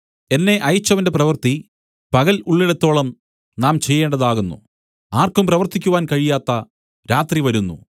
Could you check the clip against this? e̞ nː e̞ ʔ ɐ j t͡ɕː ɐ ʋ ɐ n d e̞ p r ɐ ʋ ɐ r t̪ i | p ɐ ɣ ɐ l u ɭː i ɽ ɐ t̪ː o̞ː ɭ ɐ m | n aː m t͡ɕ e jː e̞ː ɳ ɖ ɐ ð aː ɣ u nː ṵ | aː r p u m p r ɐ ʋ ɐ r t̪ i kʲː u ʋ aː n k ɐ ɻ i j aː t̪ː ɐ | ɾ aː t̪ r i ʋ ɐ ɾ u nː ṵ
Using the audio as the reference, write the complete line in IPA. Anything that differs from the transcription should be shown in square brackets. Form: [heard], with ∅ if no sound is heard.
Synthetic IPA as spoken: e̞ nː e̞ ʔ ɐ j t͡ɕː ɐ ʋ ɐ n d e̞ p r ɐ ʋ ɐ r t̪ i | p ɐ ɣ ɐ l u ɭː i ɽ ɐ t̪ː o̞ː ɭ ɐ m | n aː m t͡ɕ e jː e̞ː ɳ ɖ ɐ ð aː ɣ u nː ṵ | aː r [k] u m p r ɐ ʋ ɐ r t̪ i kʲː u ʋ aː n k ɐ ɻ i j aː t̪ː ɐ | ɾ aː t̪ r i ʋ ɐ ɾ u nː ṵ